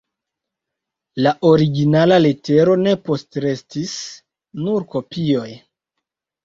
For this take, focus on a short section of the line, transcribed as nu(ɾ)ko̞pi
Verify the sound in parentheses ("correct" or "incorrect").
correct